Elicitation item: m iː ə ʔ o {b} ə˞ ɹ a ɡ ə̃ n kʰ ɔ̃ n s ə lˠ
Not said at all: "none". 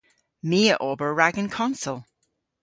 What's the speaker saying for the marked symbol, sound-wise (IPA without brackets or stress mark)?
b